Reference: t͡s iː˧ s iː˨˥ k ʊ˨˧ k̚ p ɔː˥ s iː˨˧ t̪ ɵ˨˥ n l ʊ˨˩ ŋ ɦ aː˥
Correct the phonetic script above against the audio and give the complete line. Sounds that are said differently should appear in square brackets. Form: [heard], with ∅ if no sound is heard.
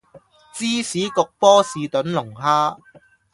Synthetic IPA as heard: t͡s [iː˥] s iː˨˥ k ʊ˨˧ k̚ p ɔː˥ s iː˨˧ t̪ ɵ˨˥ n l ʊ˨˩ ŋ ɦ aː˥